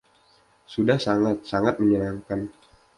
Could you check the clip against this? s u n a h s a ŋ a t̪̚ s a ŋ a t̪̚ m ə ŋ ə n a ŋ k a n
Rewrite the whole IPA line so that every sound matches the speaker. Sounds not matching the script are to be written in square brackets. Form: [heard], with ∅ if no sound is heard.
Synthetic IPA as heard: s u [d] a h s a ŋ a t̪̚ s a ŋ a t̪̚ m ə [ɲ] ə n a ŋ k a n